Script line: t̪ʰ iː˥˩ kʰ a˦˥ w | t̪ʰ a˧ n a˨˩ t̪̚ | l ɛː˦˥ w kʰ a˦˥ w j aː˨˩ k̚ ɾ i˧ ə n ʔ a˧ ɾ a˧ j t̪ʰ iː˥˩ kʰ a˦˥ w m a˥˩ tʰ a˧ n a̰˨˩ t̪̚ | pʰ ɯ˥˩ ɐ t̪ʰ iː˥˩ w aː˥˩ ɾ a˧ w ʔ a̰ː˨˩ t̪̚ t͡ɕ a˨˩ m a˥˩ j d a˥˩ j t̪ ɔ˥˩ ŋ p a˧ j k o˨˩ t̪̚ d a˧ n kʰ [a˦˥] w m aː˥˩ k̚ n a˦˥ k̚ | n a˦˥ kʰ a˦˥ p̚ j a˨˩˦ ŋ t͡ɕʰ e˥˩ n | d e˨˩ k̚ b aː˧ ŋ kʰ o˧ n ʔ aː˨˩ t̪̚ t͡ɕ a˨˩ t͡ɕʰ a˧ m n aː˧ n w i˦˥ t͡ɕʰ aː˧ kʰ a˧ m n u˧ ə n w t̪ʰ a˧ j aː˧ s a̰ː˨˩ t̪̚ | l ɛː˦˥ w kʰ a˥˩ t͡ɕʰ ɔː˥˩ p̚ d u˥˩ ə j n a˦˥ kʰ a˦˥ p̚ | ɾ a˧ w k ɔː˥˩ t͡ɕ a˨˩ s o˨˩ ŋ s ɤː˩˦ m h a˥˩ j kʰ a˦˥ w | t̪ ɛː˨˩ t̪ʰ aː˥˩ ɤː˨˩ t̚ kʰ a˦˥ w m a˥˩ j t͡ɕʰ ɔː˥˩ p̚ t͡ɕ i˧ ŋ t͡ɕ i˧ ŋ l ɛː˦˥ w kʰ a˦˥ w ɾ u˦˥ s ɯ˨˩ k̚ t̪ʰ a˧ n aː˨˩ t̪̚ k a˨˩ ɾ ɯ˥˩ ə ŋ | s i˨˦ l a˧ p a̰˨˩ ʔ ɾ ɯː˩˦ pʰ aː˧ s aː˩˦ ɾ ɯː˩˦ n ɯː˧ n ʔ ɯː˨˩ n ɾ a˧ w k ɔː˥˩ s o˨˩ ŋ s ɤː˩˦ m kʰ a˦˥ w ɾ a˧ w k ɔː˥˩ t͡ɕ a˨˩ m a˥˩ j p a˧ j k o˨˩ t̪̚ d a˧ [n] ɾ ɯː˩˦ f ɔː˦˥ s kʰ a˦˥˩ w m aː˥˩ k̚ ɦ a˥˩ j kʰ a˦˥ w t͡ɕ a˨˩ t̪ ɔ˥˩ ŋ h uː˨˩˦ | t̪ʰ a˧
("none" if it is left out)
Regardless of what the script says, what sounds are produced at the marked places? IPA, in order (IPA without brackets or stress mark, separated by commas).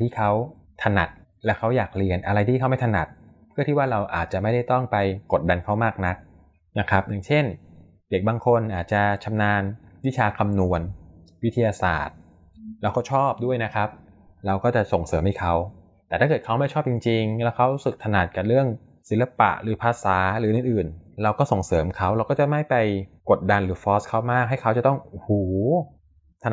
a˦˥, n